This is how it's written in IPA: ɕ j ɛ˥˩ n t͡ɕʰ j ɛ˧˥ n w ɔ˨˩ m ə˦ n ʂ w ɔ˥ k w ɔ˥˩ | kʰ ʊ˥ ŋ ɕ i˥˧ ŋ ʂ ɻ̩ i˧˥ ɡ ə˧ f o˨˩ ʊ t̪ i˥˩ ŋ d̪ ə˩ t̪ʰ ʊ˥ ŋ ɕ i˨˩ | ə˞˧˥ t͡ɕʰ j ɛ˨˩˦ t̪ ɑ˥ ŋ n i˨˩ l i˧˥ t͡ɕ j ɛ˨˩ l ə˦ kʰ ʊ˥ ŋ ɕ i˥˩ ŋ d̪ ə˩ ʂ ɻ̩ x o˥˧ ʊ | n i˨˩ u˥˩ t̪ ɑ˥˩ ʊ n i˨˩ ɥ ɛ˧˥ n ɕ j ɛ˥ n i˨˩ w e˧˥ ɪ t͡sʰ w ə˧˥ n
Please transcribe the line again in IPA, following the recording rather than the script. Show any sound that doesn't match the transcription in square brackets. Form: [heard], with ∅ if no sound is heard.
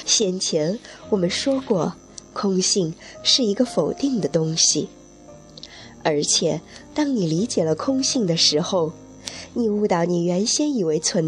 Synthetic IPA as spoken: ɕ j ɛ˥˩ n t͡ɕʰ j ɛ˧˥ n w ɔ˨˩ m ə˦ n ʂ w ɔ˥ k w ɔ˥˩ | kʰ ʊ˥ ŋ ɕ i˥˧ ŋ ʂ ɻ̩ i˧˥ ɡ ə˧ f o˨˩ ʊ t̪ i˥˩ ŋ d̪ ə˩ [t̪] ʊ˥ ŋ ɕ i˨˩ | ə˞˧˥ t͡ɕʰ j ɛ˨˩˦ t̪ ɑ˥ ŋ n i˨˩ l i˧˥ t͡ɕ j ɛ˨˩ l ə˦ kʰ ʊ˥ ŋ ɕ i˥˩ ŋ d̪ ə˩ ʂ ɻ̩ x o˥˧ ʊ | n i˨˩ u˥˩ t̪ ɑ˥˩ ʊ n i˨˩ ɥ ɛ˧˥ n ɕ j ɛ˥ n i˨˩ w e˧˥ ɪ t͡sʰ w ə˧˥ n